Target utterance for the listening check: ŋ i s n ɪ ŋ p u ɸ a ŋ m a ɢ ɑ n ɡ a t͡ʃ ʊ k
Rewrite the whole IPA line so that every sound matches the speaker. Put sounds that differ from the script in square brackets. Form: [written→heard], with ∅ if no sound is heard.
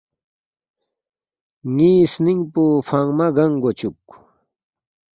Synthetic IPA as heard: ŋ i s n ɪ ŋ p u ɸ a ŋ m a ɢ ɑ [n→ŋ] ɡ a t͡ʃ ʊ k